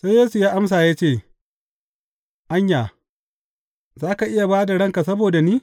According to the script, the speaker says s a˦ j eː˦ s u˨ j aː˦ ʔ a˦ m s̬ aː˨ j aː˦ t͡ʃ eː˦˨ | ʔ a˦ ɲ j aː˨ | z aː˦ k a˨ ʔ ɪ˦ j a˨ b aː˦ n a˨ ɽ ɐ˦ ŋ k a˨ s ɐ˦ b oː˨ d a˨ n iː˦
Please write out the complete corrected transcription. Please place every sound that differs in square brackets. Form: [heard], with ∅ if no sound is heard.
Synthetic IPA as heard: s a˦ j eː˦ s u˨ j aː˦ ʔ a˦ m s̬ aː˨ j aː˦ t͡ʃ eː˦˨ | ʔ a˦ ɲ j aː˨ | z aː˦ k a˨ ʔ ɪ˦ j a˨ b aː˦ [d] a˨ ɽ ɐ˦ ŋ k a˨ s ɐ˦ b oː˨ d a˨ n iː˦